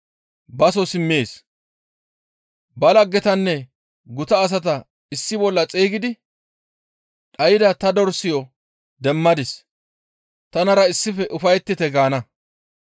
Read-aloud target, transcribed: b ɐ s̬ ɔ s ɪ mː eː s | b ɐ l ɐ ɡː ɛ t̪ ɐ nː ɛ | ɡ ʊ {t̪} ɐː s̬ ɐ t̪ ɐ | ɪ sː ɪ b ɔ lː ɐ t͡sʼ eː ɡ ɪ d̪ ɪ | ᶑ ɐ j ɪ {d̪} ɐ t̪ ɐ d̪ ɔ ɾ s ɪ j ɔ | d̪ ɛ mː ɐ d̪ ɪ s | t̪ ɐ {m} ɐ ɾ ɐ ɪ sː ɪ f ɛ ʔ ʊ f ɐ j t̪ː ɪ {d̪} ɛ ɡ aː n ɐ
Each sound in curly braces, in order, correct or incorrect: correct, correct, incorrect: n, incorrect: t̪

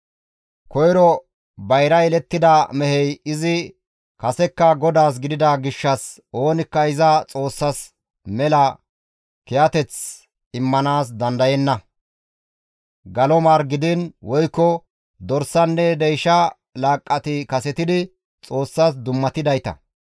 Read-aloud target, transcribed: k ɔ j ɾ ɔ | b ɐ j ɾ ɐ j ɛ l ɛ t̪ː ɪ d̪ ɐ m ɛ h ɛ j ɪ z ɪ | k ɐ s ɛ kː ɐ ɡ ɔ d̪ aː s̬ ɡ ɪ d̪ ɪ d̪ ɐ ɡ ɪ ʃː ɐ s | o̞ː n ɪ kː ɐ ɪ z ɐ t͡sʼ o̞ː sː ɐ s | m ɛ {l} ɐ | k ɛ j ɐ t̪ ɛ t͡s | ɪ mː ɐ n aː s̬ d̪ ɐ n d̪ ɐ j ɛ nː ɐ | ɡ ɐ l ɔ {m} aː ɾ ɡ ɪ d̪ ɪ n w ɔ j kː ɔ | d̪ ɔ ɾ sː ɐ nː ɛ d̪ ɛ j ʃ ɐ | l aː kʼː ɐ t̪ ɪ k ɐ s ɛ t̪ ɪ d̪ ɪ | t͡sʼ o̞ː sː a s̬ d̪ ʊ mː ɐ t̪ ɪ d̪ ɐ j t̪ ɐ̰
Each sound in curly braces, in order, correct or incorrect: correct, correct

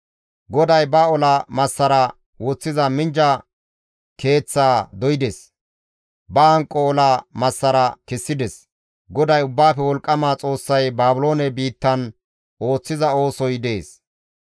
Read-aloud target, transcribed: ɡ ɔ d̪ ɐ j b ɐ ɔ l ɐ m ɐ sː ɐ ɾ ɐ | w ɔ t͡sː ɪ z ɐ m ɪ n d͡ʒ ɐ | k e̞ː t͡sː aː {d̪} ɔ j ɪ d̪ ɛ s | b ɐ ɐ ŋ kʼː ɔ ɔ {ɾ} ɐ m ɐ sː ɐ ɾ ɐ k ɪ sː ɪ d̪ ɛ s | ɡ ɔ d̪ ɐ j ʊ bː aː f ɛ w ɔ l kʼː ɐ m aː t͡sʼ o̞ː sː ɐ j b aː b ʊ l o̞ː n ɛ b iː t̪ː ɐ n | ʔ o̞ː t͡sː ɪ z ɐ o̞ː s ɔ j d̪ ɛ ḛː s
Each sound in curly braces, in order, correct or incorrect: correct, incorrect: l

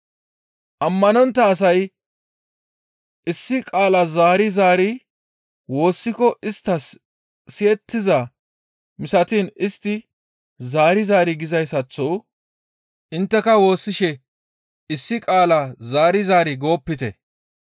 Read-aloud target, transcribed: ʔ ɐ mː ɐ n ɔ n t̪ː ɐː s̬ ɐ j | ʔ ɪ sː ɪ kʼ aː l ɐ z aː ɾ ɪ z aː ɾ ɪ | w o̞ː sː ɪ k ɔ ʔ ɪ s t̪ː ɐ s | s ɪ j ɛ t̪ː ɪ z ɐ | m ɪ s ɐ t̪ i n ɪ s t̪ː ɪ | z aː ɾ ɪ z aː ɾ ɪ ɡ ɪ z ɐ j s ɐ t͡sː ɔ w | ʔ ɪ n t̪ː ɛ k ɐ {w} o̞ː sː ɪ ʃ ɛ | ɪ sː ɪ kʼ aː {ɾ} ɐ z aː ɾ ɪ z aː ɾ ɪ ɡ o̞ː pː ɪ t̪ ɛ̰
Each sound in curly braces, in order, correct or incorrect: correct, incorrect: l

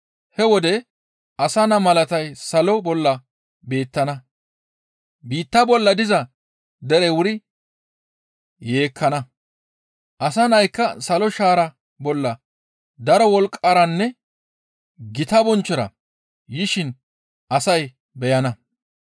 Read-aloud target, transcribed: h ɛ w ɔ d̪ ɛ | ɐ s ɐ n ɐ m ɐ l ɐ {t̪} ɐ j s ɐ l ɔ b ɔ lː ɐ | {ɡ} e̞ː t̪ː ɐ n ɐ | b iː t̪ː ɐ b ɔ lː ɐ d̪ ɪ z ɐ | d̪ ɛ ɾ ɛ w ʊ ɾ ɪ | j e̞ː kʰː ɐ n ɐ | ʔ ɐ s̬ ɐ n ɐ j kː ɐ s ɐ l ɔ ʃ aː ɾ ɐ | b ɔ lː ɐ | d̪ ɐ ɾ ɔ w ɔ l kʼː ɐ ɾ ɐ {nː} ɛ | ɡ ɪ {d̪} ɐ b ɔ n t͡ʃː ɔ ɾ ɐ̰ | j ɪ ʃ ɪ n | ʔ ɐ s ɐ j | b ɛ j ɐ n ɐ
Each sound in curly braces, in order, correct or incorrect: correct, incorrect: b, correct, incorrect: t̪

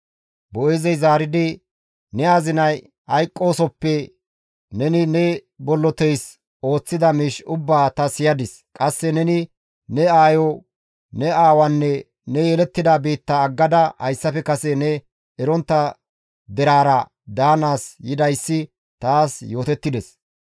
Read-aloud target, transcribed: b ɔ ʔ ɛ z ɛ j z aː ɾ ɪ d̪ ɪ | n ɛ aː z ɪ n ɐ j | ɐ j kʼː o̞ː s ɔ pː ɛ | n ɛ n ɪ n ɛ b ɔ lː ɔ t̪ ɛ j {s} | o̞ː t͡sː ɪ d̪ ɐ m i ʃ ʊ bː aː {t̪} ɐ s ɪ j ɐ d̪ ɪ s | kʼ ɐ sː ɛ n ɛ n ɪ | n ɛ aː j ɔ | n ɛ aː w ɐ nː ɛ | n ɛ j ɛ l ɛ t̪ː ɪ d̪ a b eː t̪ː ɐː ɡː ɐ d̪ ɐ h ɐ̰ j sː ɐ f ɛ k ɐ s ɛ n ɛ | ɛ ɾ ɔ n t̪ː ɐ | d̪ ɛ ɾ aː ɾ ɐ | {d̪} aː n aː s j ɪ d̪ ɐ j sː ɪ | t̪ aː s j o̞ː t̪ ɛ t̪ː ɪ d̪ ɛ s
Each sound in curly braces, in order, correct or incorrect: correct, correct, correct

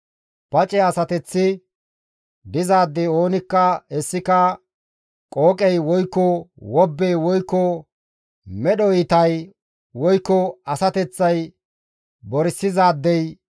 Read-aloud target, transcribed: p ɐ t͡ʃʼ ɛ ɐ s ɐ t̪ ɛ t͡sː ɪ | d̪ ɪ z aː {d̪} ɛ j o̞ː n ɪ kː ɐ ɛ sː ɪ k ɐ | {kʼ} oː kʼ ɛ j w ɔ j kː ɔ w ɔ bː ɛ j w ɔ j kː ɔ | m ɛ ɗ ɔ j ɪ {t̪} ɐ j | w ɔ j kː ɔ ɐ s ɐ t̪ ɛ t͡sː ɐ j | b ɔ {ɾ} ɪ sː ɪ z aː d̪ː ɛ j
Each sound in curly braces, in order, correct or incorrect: incorrect: d̪ː, correct, correct, correct

